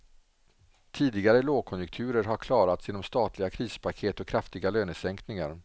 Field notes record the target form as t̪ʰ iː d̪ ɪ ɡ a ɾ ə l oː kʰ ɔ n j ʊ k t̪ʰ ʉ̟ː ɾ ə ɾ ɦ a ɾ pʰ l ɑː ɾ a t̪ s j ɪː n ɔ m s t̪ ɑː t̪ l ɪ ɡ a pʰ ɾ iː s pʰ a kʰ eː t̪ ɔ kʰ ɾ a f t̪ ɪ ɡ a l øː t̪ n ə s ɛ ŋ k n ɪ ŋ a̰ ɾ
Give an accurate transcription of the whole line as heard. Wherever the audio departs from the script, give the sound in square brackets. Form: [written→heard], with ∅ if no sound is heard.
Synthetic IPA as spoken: t̪ʰ iː d̪ ɪ ɡ a ɾ ə l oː kʰ ɔ n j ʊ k t̪ʰ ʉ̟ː ɾ ə ɾ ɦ a ɾ [pʰ→kʰ] l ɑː ɾ a t̪ s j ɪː n ɔ m s t̪ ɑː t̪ l ɪ ɡ a [pʰ→kʰ] ɾ iː s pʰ a kʰ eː t̪ ɔ kʰ ɾ a f t̪ ɪ ɡ a l øː [t̪→∅] n ə s ɛ ŋ k n ɪ ŋ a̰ ɾ